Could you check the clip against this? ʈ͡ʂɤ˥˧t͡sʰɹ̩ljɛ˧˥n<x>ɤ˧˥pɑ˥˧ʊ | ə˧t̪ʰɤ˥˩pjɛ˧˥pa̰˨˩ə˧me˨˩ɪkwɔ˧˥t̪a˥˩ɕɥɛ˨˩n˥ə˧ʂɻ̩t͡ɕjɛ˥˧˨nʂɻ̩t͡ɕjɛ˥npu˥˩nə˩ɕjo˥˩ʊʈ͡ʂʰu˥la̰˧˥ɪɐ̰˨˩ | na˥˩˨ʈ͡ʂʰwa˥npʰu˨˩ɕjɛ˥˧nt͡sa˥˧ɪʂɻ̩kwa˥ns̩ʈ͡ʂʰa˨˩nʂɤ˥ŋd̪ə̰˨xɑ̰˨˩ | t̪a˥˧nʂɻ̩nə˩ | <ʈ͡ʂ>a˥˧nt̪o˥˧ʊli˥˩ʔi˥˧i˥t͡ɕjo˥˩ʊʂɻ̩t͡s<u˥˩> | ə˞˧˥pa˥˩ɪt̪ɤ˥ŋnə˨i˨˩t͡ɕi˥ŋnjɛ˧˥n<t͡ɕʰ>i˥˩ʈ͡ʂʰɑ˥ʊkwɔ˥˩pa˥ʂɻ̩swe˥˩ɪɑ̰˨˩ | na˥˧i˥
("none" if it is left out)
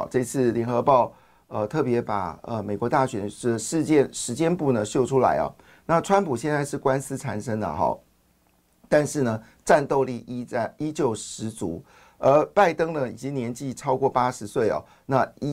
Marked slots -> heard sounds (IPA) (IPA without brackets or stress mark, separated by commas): x, ʈ͡ʂ, u˧˥, t͡ɕ